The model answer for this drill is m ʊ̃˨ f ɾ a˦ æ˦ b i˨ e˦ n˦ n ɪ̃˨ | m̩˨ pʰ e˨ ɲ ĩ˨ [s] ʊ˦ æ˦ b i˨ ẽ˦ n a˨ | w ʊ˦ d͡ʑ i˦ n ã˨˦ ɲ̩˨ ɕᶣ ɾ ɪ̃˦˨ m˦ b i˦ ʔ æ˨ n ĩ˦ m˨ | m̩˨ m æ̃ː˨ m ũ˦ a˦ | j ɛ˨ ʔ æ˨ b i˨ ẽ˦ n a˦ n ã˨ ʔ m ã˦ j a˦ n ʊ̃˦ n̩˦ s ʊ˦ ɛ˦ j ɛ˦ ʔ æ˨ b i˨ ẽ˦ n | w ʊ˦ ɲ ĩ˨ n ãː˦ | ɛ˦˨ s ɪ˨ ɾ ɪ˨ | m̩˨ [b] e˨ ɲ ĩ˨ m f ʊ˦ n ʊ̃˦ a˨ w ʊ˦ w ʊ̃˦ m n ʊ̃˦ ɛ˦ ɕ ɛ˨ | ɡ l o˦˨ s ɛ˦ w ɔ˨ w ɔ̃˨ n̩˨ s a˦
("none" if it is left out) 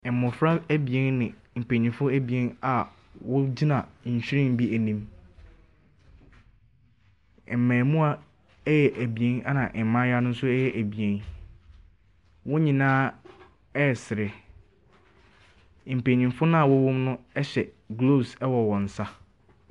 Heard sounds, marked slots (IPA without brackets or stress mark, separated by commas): f, p